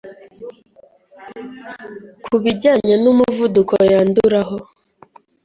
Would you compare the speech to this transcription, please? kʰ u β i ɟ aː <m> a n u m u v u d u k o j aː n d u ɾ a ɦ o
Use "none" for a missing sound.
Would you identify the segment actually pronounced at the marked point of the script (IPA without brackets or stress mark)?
ɲ